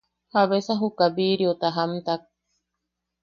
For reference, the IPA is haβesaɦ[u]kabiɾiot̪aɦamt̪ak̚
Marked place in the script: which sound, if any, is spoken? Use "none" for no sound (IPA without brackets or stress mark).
u